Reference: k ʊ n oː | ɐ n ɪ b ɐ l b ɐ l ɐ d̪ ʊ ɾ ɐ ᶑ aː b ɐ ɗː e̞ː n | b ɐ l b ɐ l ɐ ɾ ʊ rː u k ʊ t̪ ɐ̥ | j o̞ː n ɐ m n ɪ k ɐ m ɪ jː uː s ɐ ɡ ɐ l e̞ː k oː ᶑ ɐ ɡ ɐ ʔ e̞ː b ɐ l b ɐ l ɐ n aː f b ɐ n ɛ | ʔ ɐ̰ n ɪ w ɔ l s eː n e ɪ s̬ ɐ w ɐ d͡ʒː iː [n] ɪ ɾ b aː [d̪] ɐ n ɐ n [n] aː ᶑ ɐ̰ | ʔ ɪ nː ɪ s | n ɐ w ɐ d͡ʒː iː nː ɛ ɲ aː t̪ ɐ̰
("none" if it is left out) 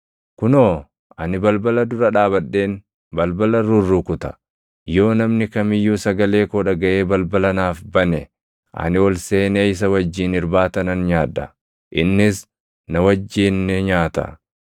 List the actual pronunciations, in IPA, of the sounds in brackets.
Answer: n, t̪, ɲ

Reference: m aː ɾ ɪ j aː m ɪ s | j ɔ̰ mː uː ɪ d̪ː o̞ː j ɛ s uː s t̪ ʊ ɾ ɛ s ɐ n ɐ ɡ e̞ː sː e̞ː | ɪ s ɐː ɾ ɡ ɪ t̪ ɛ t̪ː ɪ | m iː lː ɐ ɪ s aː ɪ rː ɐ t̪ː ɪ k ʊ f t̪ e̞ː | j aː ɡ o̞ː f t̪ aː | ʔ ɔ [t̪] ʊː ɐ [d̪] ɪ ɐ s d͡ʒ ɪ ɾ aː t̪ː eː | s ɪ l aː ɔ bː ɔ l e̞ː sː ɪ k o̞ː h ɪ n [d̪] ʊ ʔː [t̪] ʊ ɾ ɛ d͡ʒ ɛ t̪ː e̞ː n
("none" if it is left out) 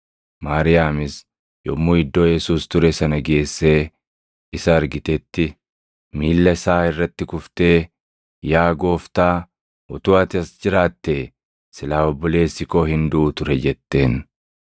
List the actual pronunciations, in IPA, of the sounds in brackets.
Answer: t̪, t̪, d̪, t̪

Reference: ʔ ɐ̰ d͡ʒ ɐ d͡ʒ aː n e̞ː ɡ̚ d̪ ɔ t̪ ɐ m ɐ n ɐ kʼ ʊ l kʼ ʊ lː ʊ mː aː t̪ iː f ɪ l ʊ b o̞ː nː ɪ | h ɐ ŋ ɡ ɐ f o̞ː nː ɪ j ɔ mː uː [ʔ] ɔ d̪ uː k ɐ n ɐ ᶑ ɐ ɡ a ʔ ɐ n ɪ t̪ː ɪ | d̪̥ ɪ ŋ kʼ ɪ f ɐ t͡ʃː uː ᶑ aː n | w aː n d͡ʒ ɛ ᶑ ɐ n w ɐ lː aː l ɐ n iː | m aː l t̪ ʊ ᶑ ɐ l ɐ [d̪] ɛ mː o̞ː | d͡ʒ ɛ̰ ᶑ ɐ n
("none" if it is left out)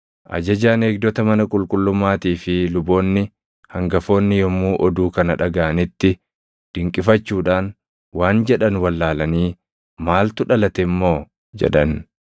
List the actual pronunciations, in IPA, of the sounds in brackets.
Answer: ʔ, t̪

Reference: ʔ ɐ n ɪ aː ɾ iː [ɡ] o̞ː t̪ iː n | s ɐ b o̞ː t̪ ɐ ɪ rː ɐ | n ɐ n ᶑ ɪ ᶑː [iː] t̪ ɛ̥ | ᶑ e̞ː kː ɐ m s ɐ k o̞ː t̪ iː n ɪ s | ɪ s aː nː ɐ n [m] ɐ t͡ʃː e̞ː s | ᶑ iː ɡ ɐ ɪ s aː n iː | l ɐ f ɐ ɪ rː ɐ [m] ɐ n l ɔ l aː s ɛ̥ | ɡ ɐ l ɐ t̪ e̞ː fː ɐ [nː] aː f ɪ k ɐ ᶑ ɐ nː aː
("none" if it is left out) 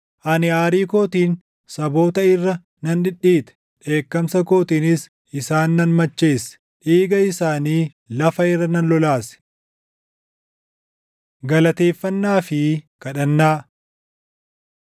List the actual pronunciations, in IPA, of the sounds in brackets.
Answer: k, iː, m, n, nː

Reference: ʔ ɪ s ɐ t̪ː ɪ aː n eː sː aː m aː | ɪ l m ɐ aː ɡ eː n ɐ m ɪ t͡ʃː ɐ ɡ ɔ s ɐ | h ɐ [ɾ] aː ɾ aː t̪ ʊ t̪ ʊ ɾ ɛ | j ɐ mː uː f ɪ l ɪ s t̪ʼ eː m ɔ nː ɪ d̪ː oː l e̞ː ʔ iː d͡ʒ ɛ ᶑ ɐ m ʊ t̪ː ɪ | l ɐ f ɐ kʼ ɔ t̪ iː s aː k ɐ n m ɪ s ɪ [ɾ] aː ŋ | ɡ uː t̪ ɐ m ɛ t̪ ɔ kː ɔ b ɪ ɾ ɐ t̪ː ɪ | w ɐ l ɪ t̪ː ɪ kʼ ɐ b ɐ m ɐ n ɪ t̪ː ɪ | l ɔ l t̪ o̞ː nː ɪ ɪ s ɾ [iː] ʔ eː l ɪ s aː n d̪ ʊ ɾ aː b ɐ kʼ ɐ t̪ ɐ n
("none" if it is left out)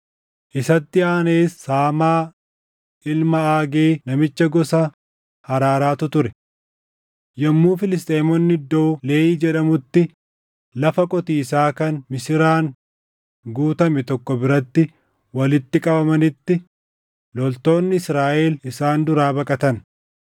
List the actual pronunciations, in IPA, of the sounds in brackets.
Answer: ɾ, ɾ, aː

